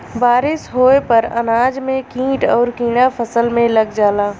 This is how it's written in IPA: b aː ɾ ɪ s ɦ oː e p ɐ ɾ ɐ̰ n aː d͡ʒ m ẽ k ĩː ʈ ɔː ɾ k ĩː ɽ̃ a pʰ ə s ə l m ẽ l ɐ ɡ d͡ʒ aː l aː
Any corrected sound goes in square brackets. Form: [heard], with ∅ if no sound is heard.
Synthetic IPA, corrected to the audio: b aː ɾ ɪ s ɦ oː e p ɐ ɾ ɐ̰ n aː d͡ʒ m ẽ k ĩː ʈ ɔː ɾ k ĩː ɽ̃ a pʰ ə s ə l m ẽ l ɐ ɡ d͡ʒ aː l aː